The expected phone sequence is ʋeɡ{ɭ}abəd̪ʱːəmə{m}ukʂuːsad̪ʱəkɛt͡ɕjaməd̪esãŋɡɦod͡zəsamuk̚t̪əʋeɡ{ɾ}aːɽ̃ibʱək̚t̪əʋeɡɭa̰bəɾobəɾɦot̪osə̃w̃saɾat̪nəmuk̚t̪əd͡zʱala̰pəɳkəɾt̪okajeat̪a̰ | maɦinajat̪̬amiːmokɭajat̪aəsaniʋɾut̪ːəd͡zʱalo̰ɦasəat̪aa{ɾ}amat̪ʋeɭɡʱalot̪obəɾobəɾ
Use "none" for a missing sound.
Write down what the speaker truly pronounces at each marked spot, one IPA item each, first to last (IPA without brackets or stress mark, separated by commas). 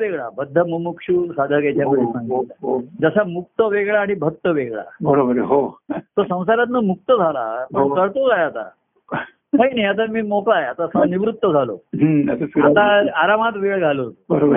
ɭ, m, ɭ, ɾ